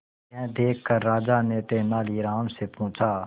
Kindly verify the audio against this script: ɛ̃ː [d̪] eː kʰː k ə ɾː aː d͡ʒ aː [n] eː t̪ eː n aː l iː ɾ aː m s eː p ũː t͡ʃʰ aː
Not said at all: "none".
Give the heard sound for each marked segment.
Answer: d̪, n

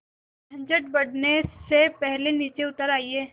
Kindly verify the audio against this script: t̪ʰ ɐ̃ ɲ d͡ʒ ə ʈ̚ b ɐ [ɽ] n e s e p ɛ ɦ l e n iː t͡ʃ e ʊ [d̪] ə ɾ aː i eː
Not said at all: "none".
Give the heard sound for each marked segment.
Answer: ɽ, t̪

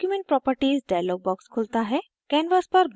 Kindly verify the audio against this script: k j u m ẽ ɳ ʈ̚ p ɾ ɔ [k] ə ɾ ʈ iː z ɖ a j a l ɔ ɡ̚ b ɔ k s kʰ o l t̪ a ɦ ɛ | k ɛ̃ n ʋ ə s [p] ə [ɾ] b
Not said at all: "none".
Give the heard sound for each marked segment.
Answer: p, p, ɾ

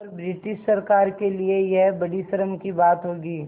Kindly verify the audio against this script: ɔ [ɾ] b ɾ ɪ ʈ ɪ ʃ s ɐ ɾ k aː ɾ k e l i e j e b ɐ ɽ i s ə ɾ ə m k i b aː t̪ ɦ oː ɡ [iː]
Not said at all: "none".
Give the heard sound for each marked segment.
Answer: ɾ, iː

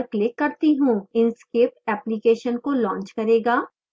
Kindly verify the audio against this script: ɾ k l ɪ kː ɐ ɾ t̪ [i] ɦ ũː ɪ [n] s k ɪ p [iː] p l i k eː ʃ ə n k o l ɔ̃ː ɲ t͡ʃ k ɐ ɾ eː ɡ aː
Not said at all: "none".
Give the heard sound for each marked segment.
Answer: i, n, ɛː

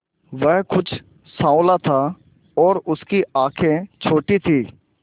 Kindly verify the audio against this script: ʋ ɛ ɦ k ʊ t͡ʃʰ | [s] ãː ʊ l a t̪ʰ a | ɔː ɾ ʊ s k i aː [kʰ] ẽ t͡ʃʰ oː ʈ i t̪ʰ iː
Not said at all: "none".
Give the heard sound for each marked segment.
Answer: s, kʰ

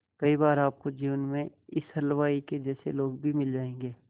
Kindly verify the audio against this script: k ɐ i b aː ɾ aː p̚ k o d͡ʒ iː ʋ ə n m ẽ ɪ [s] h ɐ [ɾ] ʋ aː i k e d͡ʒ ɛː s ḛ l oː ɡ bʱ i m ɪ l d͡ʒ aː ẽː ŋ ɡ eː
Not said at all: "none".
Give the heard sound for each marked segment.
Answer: s, l

